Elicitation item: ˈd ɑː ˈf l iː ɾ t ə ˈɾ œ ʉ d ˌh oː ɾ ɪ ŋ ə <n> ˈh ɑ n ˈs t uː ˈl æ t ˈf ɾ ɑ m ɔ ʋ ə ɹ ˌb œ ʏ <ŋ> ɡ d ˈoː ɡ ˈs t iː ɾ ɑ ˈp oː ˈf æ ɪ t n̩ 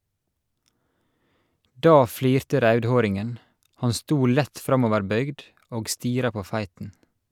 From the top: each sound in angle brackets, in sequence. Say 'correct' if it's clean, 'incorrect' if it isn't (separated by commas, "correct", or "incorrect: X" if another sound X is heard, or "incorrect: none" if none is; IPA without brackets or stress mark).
correct, incorrect: none